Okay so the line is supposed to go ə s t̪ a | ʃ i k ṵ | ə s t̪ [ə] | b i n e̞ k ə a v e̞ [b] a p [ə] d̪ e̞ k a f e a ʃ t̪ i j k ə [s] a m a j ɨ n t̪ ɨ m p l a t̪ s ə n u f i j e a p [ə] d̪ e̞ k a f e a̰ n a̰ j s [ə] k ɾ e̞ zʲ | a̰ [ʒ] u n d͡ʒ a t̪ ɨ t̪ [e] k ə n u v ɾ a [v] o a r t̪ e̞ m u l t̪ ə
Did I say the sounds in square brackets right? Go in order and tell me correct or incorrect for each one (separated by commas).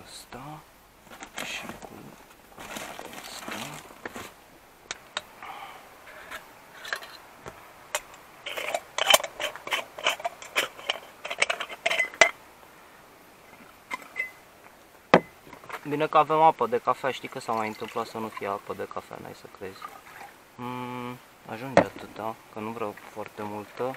incorrect, incorrect, correct, correct, correct, correct, correct, incorrect, incorrect